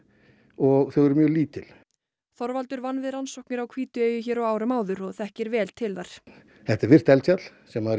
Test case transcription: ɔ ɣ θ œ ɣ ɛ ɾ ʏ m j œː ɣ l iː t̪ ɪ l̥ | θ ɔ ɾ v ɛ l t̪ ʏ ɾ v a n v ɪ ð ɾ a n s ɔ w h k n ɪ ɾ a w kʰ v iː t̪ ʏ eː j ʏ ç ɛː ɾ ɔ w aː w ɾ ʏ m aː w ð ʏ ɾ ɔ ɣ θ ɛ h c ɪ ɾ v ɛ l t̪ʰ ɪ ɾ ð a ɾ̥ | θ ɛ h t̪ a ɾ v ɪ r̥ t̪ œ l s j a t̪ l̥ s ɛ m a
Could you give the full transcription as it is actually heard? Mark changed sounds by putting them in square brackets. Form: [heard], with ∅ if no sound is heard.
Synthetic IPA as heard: ɔ ɣ θ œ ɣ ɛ ɾ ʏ m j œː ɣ l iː t̪ ɪ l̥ | θ ɔ ɾ v [a] l t̪ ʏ ɾ v a n v ɪ ð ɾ a n s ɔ w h k n ɪ ɾ a w kʰ v iː t̪ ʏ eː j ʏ ç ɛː ɾ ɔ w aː w ɾ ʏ m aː w ð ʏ ɾ ɔ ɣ θ ɛ h c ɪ ɾ v [ɛː] l t̪ʰ ɪ [l] ð a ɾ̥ | θ ɛ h t̪ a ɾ v ɪ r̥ t̪ [ɛ] l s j a t̪ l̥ s ɛ m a